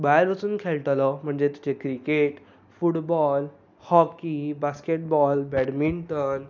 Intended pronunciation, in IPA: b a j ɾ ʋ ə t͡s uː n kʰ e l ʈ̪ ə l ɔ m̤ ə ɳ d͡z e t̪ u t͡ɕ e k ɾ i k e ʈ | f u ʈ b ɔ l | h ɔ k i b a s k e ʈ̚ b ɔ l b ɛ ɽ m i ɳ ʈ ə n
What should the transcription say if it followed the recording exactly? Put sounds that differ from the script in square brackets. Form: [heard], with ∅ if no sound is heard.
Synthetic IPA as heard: b a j ɾ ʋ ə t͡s uː n kʰ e l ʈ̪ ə l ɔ m̤ ə ɳ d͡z e t̪ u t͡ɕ e k ɾ i k e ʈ | f u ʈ b ɔ l | h ɔ k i b a s k e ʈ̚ b ɔ l b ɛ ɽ m i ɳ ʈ ə n